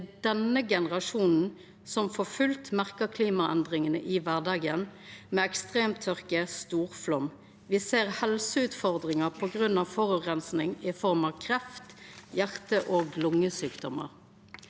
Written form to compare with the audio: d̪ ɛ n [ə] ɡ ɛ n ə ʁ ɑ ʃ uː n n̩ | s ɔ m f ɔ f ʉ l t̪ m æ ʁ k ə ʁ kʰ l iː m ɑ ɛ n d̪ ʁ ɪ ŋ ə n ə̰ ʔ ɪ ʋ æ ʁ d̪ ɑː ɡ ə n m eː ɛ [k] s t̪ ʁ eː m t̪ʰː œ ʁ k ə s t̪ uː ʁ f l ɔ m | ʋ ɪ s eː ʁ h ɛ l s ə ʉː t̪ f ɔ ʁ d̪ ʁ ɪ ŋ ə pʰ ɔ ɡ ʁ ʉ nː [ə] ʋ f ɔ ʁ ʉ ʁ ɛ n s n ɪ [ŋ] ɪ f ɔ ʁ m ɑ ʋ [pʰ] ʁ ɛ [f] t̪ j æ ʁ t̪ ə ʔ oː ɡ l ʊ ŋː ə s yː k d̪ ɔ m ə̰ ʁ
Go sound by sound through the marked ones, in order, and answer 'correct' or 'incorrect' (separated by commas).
correct, correct, incorrect, correct, incorrect, correct